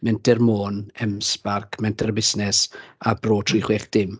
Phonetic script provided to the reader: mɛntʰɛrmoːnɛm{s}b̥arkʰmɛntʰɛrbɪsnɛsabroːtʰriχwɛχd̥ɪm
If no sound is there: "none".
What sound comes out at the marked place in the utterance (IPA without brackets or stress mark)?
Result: s